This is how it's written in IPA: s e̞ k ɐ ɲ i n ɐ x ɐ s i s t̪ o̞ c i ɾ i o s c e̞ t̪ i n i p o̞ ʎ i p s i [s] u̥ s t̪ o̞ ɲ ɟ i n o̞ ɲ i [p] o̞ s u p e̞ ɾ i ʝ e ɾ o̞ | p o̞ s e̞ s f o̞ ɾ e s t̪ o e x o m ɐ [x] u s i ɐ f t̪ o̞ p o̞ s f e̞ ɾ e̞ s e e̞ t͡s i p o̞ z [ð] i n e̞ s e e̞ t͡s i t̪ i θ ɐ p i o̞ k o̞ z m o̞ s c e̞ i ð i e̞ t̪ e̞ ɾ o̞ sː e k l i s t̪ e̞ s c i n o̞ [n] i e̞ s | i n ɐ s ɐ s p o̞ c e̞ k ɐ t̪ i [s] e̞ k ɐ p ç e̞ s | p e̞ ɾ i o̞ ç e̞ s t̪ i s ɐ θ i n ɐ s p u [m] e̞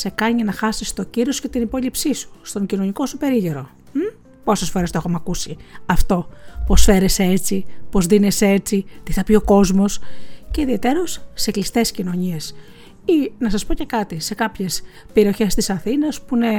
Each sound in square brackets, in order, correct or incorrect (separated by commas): correct, incorrect, incorrect, correct, incorrect, correct, incorrect